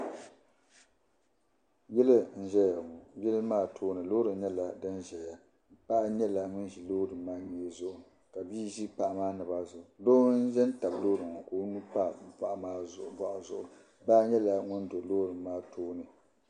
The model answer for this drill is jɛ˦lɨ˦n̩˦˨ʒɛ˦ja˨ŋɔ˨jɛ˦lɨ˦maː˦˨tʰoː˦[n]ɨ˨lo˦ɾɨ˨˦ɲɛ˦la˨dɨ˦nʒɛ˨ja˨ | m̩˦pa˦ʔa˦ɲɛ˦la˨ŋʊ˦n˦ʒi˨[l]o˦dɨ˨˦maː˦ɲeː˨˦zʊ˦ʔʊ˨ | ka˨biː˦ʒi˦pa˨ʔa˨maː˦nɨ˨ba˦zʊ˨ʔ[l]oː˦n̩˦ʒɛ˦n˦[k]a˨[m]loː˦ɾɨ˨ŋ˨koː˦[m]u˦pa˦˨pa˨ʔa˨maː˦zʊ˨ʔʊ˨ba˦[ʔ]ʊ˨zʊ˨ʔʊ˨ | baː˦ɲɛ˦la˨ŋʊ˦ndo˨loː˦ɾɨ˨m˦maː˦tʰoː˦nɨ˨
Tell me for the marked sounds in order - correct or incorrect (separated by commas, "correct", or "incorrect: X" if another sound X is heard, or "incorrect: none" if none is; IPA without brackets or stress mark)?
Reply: correct, correct, correct, incorrect: t, incorrect: b, incorrect: n, correct